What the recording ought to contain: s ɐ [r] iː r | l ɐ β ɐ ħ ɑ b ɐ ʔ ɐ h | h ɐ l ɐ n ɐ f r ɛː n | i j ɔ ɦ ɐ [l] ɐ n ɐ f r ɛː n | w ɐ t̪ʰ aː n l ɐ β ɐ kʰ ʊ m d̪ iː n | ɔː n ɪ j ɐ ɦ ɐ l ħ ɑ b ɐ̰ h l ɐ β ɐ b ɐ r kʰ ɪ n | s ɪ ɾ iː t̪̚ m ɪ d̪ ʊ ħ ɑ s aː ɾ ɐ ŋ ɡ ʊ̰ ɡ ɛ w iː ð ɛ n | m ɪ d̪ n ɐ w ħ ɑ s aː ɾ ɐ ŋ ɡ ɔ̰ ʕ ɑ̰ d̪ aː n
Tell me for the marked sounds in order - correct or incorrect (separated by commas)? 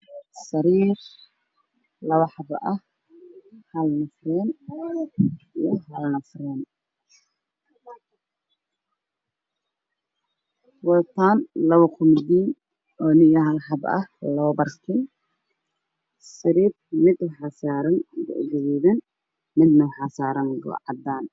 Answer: incorrect, correct